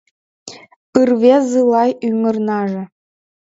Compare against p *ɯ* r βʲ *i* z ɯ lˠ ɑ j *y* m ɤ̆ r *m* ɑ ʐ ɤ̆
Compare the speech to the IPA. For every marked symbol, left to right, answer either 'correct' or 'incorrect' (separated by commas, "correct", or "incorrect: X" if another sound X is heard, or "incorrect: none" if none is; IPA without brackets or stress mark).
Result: correct, incorrect: e, correct, incorrect: n